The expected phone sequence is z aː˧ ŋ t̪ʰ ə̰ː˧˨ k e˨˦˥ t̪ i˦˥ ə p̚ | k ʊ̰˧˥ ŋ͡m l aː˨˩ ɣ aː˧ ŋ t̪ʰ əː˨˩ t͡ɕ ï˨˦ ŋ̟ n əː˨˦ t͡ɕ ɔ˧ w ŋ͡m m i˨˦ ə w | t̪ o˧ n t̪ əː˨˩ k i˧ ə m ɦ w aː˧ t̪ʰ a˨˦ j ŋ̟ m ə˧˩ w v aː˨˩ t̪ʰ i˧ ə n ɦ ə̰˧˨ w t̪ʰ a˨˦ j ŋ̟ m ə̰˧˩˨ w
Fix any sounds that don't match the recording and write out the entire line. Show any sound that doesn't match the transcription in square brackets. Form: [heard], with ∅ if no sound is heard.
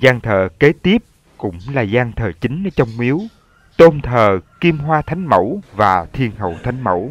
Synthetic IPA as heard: z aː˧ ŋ t̪ʰ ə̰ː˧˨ k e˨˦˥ t̪ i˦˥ ə p̚ | k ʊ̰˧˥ ŋ͡m l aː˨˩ [z] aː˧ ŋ t̪ʰ əː˨˩ t͡ɕ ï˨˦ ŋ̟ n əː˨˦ t͡ɕ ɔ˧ w ŋ͡m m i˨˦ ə w | t̪ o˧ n [t̪ʰ] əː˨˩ k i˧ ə m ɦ w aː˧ t̪ʰ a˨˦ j ŋ̟ m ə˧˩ w v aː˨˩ t̪ʰ i˧ ə n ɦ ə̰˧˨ w t̪ʰ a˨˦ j ŋ̟ m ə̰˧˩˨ w